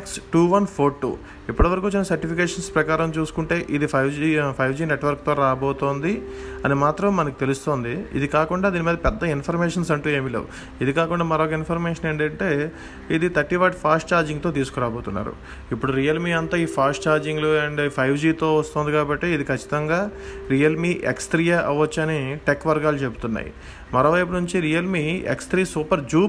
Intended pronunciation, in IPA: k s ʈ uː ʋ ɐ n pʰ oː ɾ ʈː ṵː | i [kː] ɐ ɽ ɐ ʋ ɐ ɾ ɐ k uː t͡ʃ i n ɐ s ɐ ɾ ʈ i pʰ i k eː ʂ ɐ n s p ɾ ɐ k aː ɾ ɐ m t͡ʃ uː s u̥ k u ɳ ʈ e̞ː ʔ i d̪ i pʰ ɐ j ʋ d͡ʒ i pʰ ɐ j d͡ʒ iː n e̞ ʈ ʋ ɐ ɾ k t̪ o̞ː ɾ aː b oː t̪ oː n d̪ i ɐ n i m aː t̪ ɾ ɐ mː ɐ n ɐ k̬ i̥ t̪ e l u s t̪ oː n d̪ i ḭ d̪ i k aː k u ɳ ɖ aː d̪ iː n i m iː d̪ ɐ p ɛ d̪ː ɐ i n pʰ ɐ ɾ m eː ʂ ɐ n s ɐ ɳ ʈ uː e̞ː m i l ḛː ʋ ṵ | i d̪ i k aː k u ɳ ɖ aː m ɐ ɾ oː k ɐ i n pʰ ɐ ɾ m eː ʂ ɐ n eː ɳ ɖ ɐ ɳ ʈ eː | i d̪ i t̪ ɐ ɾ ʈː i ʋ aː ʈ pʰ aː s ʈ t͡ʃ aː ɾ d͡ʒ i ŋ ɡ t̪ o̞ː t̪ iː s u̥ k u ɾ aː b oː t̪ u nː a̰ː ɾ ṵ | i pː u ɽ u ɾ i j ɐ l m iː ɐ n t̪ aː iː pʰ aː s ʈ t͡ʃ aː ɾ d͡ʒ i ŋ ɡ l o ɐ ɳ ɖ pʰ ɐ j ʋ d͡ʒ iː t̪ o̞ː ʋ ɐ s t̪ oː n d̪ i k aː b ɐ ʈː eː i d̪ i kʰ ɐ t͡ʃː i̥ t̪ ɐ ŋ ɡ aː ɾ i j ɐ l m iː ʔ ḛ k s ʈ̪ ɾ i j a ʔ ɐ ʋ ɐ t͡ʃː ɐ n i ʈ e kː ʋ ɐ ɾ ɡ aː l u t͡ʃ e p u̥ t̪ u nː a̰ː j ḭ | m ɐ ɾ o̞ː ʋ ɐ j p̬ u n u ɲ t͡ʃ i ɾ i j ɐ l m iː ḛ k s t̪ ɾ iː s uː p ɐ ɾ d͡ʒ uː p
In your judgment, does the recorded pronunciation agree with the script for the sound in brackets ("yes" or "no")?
no